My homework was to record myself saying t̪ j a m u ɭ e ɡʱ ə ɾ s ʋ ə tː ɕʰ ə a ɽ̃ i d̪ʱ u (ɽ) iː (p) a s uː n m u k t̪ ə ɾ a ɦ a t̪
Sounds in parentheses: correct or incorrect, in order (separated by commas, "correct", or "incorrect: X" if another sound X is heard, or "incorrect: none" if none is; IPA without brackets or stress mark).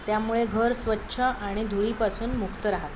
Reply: incorrect: ɭ, correct